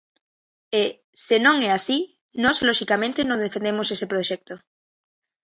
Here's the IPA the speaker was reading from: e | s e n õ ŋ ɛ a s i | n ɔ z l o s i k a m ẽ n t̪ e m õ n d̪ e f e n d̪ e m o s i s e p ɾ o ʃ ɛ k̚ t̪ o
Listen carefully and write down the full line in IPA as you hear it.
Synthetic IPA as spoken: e | s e n õ ŋ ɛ a s i | n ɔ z l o ʃ i k a m ẽ n t̪ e n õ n d̪ e f e n d̪ e m o s e s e p ɾ o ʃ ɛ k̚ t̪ o